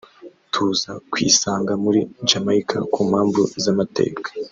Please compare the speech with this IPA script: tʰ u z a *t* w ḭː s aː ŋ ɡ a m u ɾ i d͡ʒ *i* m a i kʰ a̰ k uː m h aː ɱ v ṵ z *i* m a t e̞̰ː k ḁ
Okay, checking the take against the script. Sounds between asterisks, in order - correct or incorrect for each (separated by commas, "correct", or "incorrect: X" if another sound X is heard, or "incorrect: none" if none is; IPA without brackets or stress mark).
incorrect: k, incorrect: a, incorrect: a